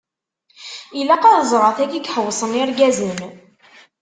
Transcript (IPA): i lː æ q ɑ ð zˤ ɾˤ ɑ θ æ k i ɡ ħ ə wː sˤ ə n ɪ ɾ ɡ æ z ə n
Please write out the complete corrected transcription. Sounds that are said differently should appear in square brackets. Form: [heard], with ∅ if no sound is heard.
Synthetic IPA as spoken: i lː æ q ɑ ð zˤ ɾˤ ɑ θ æ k i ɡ ħ ə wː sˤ ə n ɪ ɾ ɡ æ z ə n

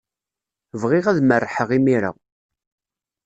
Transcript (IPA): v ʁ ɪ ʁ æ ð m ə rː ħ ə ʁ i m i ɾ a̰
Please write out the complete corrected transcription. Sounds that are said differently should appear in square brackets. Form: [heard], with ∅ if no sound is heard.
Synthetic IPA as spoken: v ʁ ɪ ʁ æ ð m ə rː ħ ə ʁ i m i ɾ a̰

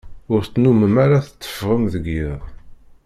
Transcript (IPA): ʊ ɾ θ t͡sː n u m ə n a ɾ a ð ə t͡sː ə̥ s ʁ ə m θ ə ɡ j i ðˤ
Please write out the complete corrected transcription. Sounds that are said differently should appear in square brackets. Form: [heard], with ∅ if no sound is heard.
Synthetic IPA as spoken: ʊ ɾ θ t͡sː n u m ə [m] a ɾ a [θ] ə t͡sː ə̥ [f] ʁ ə m [ð] ə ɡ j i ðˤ

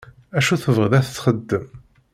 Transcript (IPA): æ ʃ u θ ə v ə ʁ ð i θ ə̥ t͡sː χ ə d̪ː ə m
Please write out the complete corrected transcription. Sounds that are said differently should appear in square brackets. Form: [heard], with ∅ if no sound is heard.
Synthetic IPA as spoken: æ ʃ u θ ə v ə ʁ ð [æ] θ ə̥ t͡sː χ ə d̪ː ə m

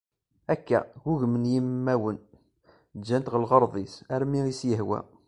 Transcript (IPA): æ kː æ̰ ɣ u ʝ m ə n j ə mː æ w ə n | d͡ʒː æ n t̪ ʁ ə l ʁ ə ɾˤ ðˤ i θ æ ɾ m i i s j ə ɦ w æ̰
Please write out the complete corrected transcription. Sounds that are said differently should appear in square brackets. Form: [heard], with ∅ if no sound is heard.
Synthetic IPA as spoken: æ kː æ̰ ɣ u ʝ m ə n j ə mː æ w ə n | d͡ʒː æ n t̪ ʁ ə l ʁ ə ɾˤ ðˤ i [s] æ ɾ m i i s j ə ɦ w æ̰

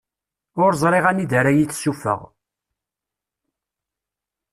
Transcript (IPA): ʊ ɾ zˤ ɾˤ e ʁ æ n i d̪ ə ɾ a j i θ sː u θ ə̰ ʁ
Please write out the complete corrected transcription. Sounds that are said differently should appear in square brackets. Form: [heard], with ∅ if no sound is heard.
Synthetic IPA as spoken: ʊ ɾ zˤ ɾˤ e ʁ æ n i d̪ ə ɾ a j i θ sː u [f] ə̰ ʁ

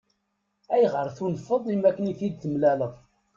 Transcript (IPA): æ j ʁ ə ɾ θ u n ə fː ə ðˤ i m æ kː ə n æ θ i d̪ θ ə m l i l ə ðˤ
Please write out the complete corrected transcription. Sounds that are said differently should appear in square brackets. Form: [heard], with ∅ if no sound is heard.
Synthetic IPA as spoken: æ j ʁ ə ɾ θ u n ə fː ə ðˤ i m æ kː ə n [i] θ i d̪ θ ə m l [æ] l ə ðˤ

